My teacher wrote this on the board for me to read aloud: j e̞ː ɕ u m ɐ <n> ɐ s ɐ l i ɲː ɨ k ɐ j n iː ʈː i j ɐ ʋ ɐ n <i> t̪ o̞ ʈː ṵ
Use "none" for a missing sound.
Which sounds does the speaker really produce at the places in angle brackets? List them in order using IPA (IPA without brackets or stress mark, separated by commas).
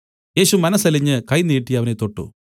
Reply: n, e